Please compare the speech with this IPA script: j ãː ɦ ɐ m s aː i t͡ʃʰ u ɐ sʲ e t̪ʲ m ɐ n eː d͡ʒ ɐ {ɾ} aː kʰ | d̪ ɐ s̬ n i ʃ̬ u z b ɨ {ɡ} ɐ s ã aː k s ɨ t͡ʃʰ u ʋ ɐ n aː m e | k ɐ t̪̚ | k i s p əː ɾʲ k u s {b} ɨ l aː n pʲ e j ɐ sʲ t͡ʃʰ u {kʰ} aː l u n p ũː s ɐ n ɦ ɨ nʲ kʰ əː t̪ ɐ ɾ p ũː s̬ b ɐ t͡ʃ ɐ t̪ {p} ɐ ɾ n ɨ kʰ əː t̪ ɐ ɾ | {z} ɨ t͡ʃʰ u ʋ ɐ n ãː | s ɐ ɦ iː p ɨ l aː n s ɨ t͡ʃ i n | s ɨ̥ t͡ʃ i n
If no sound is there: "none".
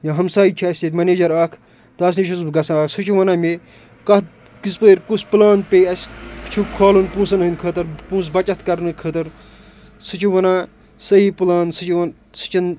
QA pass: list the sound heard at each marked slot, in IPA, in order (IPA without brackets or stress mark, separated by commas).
ɾ, ɡ, p, kʰ, k, s